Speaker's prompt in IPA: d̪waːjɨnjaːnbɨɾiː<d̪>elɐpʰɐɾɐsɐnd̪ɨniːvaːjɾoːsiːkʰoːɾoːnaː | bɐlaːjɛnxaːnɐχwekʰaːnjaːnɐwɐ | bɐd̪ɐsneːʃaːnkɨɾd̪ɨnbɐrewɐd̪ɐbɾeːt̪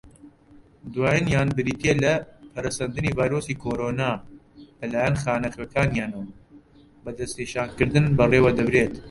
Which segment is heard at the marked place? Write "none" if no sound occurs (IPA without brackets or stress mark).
t̪